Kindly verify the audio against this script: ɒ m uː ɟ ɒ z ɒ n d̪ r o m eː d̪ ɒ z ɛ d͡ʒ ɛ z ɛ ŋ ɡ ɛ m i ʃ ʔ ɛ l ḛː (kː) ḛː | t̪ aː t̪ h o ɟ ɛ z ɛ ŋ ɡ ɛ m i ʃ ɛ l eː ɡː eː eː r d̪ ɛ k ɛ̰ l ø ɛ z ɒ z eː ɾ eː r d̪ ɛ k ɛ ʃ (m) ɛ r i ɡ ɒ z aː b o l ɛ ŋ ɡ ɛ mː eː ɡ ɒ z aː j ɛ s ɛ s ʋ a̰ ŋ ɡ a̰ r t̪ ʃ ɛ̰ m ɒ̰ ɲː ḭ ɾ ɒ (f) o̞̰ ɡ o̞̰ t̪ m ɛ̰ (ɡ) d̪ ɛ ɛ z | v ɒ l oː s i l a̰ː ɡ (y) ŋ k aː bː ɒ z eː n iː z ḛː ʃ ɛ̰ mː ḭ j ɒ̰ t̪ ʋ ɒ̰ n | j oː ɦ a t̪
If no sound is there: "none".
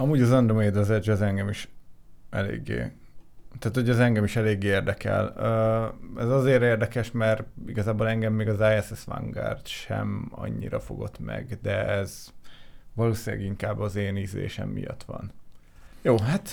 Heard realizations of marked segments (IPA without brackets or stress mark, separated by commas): ɡː, m, f, ɡ, i